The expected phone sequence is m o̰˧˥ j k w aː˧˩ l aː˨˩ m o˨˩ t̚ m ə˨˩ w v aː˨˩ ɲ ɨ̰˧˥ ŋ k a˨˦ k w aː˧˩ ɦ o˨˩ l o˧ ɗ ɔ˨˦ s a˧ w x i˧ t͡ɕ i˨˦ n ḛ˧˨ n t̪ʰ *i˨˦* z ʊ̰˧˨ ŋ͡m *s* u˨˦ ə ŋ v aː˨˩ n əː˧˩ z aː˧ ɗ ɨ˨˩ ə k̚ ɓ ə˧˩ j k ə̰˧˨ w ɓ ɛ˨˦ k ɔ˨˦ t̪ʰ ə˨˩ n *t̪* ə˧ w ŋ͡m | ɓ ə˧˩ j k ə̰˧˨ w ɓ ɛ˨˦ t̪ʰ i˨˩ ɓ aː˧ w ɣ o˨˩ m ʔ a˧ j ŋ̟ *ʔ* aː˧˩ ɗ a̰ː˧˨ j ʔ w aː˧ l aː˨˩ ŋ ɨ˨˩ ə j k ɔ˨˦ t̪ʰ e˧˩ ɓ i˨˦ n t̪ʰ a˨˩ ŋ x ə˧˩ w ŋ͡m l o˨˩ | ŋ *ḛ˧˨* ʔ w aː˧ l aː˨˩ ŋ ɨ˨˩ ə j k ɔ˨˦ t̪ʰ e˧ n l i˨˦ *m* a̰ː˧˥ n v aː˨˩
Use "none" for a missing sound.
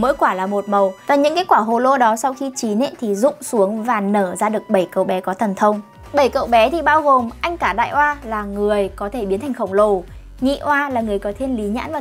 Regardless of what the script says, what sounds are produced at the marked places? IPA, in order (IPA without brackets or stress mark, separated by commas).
i˨˩, s, t̪ʰ, k, ḭ˧˨, ɲ